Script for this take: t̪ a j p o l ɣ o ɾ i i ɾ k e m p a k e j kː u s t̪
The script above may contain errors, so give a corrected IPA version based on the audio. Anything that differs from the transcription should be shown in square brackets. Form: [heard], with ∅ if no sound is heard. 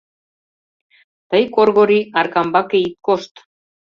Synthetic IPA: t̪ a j [k] o [ɾ] ɣ o ɾ i [a] ɾ k [a] m [b] a k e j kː [o] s t̪

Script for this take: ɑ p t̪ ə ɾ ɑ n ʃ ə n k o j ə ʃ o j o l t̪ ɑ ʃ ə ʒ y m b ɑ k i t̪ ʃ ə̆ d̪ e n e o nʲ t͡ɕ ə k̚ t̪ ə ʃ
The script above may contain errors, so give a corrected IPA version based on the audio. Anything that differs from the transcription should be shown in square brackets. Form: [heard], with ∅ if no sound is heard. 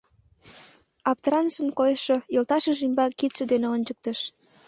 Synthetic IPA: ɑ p t̪ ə ɾ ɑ n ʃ ə n k o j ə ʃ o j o l t̪ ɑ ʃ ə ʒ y m b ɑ k i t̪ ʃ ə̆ d̪ e n e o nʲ t͡ɕ ə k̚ t̪ ə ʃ

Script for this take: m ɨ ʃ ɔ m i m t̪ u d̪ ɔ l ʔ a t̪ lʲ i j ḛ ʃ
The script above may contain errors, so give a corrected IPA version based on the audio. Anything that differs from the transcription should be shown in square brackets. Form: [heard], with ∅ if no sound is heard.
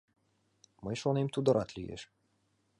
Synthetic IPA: m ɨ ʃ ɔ [n] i m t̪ u d̪ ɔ [ɾ] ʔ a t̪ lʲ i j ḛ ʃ

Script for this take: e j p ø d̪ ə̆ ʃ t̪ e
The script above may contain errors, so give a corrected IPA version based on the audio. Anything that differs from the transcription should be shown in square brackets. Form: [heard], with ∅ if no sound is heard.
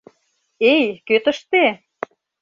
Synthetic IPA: e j [k] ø [t̪] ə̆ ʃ t̪ e

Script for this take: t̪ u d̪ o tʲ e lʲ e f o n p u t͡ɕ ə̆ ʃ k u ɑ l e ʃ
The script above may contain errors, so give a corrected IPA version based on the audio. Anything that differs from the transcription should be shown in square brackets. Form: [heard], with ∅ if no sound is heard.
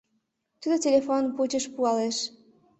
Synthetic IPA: t̪ u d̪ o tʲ e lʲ e f o n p u t͡ɕ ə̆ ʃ [p] u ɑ l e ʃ

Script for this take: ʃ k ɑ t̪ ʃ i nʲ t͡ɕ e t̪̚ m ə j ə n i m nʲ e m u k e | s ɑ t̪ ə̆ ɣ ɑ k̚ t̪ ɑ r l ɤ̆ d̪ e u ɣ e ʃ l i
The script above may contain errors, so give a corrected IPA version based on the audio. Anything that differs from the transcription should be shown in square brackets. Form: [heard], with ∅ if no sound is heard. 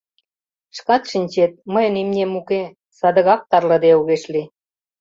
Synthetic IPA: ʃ k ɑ t̪ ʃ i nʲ t͡ɕ e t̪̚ m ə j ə n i m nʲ e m u k e | s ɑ [d̪] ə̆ ɣ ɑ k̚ t̪ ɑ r l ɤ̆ d̪ e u ɣ e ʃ l i

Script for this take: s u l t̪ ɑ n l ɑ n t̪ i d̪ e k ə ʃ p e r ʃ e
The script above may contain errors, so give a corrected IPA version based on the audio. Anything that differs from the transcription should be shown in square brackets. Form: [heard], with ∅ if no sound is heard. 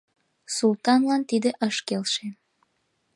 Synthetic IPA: s u l t̪ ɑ n l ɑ n t̪ i d̪ e [ʔ] ə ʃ [k] e [l] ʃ e

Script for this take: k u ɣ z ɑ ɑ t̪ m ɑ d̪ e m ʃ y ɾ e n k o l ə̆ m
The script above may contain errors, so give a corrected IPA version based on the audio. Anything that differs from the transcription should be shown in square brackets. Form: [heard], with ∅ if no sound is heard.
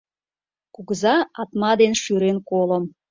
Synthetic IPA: k u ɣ z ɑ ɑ t̪ m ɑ d̪ e [n] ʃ y ɾ e n k o l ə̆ m

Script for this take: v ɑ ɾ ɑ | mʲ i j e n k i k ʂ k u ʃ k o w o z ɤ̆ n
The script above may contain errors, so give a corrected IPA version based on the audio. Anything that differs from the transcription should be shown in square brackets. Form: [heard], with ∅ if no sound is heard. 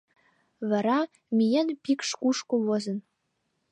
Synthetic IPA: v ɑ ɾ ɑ | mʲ i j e n [p] i k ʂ k u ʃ k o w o z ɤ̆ n

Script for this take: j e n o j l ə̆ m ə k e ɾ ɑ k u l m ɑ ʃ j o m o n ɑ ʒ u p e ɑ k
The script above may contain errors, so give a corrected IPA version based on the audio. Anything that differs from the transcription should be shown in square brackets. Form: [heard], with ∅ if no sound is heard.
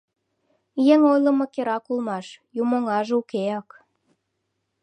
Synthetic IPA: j e [ŋ] o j l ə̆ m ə k e ɾ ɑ k u l m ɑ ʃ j [u] m o [ŋ] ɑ ʒ u [k] e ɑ k

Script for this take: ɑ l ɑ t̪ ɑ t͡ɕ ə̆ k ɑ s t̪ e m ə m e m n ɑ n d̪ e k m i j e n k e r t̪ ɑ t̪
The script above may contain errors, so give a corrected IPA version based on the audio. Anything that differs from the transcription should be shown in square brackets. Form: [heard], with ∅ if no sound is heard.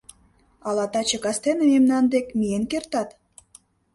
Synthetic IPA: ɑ l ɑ t̪ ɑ t͡ɕ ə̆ k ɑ s t̪ e [n] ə m e m n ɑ n d̪ e k m i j e n k e r t̪ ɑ t̪

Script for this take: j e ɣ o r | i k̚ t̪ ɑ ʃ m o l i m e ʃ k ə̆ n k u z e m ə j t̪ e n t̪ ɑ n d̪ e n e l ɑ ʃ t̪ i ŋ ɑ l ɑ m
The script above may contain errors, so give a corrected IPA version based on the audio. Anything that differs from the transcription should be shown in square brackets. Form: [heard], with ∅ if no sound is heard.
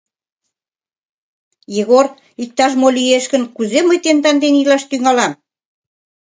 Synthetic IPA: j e ɣ o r | i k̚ t̪ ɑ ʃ m o l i [∅] e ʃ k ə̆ n k u z e m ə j t̪ e n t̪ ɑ n d̪ e n [i] l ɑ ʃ t̪ [y] ŋ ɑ l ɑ m

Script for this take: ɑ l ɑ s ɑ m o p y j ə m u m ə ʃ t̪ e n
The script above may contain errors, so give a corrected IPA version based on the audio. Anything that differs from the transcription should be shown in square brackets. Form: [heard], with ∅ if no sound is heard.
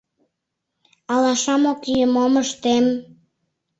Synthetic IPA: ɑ l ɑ [ʃ] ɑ m o [k] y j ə m [o] m ə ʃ t̪ e [m]

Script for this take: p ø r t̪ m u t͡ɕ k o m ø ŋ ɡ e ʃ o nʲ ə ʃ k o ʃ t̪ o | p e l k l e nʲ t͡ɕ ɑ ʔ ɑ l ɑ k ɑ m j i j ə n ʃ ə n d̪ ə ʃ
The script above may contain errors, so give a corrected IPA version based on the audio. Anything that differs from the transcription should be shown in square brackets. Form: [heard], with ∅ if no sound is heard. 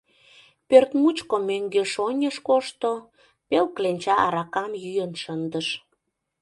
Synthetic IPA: p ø r t̪ m u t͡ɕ k o m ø ŋ ɡ e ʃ o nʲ ə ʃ k o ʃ t̪ o | p e l k l e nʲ t͡ɕ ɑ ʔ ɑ [ɾ] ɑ k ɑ m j [y] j ə n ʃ ə n d̪ ə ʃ

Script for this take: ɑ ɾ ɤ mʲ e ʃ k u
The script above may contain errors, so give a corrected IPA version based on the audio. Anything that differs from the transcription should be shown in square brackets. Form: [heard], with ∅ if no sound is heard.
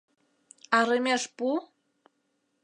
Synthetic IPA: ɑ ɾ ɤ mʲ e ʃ [p] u

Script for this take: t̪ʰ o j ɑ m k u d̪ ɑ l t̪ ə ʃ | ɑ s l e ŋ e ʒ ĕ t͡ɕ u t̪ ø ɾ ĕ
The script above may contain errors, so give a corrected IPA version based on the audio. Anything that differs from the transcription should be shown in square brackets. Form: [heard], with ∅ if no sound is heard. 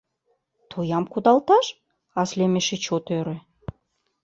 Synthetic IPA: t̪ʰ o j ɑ m k u d̪ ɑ l t̪ [ɑ] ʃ | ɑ s l e [m] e [ʃ] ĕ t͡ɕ [o] t̪ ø ɾ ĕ

